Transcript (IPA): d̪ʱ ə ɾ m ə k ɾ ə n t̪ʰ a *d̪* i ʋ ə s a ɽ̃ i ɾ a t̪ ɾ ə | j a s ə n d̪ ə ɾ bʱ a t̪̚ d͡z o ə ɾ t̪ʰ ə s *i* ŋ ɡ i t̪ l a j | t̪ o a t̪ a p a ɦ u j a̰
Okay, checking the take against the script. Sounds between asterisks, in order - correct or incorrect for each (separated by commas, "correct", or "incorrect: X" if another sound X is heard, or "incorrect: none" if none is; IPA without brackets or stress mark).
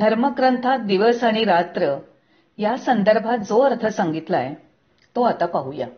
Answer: correct, incorrect: a